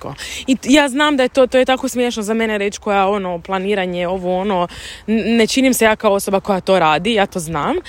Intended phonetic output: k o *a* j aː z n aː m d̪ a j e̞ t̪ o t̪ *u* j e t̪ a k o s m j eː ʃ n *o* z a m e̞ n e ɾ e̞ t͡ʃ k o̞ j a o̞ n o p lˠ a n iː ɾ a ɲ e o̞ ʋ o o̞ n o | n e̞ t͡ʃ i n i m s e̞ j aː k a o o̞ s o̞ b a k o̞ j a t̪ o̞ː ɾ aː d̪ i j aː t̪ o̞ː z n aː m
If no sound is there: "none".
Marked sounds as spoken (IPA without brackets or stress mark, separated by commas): i, o, o